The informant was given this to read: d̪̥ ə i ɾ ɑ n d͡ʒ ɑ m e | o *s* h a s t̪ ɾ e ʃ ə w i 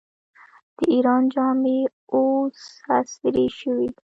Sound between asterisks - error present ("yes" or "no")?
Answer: no